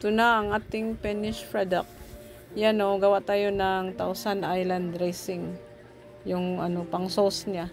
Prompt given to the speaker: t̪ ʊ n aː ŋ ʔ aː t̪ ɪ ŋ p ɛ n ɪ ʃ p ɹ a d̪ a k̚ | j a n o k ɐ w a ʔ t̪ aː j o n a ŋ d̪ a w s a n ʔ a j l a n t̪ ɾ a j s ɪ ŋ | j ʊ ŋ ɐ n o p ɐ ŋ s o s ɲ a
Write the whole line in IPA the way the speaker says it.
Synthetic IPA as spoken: t̪ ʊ n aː ŋ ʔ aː t̪ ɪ ŋ p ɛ n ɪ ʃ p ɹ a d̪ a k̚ | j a n o ɡ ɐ w a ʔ t̪ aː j o n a ŋ t̪ a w s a n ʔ a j l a n d̪ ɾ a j s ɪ ŋ | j ʊ ŋ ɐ n o p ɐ ŋ s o s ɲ a